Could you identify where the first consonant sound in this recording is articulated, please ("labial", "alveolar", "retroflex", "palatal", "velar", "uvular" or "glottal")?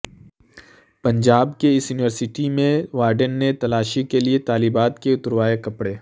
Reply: labial